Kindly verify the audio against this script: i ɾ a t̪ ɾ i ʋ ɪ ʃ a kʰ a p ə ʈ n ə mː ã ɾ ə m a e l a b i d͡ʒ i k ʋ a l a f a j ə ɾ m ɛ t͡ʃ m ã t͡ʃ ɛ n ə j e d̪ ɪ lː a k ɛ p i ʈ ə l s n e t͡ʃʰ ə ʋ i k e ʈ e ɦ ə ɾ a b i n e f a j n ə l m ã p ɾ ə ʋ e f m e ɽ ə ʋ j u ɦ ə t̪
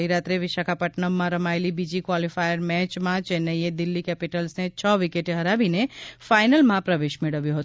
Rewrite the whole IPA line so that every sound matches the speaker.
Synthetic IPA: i ɾ a t̪ ɾ e ʋ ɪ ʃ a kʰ a p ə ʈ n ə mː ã ɾ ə m a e l i b i d͡ʒ i k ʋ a l i f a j ə ɾ m ɛ t͡ʃ m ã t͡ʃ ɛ n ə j e d̪ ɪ lː i k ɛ p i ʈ ə l s n e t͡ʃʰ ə ʋ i k e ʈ e ɦ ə ɾ a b i n e f a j n ə l m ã p ɾ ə ʋ e ʃ m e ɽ ə ʋ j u ɦ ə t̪

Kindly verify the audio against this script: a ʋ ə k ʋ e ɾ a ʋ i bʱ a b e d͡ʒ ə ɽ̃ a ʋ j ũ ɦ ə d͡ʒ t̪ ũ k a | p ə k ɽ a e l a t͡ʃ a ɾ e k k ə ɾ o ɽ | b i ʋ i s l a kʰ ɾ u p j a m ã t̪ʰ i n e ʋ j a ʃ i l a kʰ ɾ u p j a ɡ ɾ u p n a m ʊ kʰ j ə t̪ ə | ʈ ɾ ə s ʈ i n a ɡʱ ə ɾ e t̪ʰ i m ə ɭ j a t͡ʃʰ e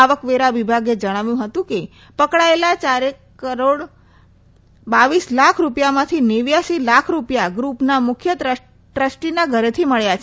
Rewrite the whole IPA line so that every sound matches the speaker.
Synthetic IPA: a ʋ ə k ʋ e ɾ a ʋ i bʱ a ɡ e d͡ʒ ə ɽ̃ a ʋ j ũ ɦ ə t̪ ũ k e | p ə k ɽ a e l a t͡ʃ a ɾ e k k ə ɾ o ɽ | b a ʋ i s l a kʰ ɾ u p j a m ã t̪ʰ i n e ʋ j a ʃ i l a kʰ ɾ u p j a ɡ ɾ u p n a m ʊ kʰ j ə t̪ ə | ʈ ɾ ə s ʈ i n a ɡʱ ə ɾ e t̪ʰ i m ə ɭ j a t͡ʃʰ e

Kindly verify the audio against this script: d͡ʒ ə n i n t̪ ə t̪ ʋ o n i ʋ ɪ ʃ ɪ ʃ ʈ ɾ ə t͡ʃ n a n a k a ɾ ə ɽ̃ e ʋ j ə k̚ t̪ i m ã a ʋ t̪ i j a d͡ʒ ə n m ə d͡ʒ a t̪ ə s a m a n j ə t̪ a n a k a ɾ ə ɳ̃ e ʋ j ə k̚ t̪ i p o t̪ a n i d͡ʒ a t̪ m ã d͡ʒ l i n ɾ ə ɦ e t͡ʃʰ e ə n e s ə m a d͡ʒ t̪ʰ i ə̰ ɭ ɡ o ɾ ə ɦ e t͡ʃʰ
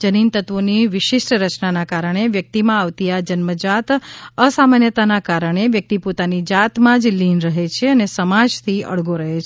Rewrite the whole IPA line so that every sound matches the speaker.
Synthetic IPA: d͡ʒ ə n i n t̪ ə t̪ ʋ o n i ʋ ɪ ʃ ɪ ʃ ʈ ɾ ə t͡ʃ n a n a k a ɾ ə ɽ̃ e ʋ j ə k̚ t̪ i m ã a ʋ t̪ i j a d͡ʒ ə n m ə d͡ʒ a t̪ ə s a m a n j ə t̪ a n a k a ɾ ə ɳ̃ e ʋ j ə k̚ t̪ i p o t̪ a n i d͡ʒ a t̪ m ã d͡ʒ l i n ɾ ə ɦ e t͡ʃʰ e ə n e s ə m a d͡ʒ t̪ʰ i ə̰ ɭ ɡ o ɾ ə ɦ e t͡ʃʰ

